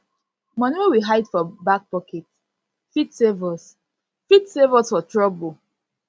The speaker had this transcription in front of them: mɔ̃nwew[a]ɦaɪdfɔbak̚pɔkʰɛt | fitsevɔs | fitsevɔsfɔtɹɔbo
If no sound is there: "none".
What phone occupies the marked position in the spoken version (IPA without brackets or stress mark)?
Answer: i